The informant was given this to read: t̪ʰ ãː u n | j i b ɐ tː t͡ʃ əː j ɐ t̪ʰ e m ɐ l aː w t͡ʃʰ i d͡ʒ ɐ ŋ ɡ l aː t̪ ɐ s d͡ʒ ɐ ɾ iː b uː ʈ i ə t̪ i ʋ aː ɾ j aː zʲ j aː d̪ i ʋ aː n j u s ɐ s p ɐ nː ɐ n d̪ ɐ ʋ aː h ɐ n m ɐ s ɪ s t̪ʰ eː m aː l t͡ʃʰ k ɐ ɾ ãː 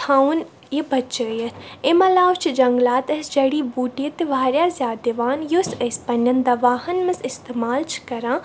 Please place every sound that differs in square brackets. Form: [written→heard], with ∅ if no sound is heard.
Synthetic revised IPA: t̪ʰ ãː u n | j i b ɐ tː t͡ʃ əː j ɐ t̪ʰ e m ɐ l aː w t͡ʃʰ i d͡ʒ ɐ ŋ ɡ l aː t̪ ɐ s d͡ʒ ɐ [ɾ→ɽ] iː b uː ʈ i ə t̪ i ʋ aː ɾ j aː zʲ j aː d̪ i ʋ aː n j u s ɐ s p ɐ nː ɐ n d̪ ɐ ʋ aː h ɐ n m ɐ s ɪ s [t̪ʰ→t̪] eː m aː l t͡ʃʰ k ɐ ɾ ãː